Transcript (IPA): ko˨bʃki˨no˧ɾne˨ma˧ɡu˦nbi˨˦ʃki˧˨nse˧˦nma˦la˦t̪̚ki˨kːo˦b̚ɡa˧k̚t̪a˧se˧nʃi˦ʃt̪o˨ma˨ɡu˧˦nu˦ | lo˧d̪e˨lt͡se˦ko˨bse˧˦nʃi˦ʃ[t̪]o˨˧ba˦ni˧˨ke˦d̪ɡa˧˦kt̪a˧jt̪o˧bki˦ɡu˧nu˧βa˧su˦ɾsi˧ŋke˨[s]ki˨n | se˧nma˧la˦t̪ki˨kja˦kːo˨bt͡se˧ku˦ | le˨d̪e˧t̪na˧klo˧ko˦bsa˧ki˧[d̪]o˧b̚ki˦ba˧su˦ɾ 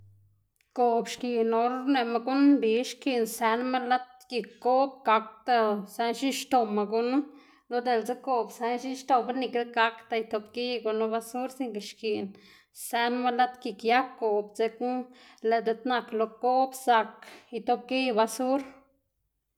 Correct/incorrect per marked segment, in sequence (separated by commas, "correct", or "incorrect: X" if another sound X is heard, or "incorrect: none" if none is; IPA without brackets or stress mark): correct, incorrect: ʃ, incorrect: t̪